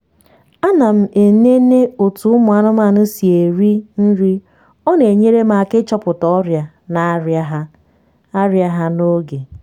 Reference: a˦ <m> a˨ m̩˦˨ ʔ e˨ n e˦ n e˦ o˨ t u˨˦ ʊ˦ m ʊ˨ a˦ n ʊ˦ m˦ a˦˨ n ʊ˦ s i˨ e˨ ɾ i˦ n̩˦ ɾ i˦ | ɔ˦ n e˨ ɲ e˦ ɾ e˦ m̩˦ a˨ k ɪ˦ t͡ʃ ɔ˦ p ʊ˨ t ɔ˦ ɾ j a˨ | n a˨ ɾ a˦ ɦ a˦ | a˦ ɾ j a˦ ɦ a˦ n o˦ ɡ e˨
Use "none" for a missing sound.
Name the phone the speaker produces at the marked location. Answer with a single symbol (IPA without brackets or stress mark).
n